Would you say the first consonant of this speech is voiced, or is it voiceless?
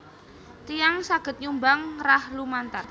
voiceless